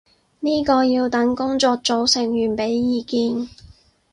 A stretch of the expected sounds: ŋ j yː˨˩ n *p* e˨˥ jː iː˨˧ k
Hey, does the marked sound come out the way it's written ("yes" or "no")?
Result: yes